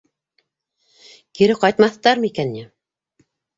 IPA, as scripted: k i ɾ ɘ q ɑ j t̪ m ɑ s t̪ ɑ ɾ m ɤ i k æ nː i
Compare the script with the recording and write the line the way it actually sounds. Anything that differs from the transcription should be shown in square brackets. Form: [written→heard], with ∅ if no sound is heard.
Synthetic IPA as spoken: k i ɾ ɘ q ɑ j t̪ m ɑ [s→θ] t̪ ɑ ɾ m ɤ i k æ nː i